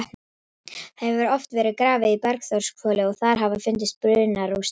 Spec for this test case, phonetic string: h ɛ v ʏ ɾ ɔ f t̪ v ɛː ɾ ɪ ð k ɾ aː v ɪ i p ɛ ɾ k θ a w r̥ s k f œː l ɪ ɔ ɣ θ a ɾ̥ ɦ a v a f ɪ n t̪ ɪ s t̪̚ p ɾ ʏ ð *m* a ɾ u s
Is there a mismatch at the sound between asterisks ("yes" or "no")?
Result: yes